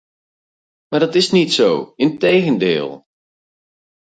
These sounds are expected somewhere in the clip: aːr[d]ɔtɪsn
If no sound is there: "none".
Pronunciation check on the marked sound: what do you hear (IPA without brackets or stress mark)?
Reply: d